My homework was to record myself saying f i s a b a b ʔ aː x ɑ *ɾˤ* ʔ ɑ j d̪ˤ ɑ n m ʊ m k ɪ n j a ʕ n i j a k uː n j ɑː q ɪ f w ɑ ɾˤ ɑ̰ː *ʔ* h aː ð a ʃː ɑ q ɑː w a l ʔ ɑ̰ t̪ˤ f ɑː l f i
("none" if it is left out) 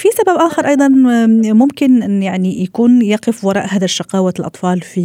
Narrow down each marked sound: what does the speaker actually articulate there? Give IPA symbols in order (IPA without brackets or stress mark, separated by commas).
ɾˤ, ʔ